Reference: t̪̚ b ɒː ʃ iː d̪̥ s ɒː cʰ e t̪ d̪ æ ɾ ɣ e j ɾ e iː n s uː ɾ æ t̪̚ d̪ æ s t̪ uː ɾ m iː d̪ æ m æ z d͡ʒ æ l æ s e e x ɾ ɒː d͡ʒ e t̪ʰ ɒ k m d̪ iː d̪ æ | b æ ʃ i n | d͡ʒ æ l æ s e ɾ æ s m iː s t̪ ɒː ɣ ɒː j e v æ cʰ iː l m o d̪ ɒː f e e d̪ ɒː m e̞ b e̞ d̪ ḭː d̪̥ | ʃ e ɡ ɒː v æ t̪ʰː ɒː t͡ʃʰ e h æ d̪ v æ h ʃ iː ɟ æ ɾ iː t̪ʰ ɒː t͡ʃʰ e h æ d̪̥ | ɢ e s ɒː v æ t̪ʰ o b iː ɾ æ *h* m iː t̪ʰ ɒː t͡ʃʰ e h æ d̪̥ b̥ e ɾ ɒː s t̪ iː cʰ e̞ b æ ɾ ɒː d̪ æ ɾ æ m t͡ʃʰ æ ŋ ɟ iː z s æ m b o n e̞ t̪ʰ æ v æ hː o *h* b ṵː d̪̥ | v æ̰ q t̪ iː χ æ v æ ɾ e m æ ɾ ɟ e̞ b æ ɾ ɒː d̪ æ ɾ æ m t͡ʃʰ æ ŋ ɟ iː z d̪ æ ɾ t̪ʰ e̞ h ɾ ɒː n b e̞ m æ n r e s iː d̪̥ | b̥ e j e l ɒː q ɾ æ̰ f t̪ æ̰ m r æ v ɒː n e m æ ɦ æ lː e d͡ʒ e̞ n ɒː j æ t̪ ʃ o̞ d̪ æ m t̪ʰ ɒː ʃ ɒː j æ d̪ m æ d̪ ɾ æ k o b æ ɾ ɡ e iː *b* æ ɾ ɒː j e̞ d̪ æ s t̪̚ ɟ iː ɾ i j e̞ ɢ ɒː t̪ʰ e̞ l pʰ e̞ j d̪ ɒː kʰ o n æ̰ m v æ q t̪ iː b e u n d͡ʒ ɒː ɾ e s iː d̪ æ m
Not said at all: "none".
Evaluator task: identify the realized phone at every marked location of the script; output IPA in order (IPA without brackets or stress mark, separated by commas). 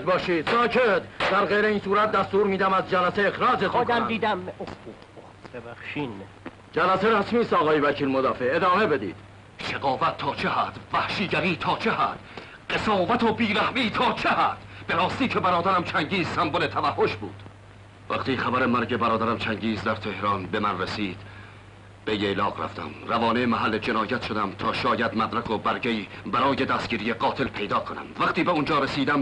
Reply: h, ʃ, b